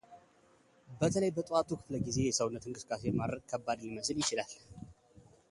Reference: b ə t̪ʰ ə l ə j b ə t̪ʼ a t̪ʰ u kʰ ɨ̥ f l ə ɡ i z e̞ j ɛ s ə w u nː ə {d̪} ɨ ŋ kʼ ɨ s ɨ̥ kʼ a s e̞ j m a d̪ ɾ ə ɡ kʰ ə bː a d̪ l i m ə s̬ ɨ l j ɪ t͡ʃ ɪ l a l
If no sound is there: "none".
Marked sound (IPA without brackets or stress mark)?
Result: t̪